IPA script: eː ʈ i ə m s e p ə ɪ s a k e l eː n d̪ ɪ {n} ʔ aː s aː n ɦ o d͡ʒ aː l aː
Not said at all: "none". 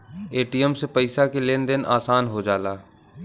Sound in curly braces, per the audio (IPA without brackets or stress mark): n